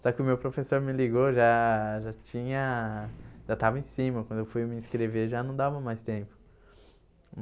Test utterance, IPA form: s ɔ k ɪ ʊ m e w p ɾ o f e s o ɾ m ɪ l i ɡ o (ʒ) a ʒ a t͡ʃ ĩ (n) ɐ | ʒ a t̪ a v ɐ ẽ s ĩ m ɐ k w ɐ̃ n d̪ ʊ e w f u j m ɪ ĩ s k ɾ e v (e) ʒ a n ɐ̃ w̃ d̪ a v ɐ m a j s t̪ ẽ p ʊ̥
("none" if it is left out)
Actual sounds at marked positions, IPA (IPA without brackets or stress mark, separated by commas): ʒ, ɲ, e